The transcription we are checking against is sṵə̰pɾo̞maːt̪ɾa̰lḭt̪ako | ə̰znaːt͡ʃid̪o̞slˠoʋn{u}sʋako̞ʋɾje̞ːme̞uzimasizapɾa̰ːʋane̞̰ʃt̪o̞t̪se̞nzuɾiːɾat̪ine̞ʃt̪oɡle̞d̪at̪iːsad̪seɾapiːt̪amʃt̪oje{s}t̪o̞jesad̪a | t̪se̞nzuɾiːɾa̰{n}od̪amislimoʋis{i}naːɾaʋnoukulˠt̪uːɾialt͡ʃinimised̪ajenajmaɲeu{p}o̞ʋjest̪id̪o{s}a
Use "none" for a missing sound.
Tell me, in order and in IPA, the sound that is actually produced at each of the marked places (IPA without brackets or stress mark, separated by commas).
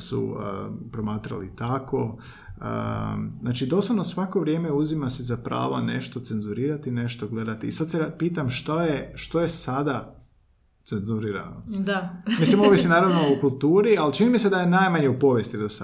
o, ʃ, n, i, p, s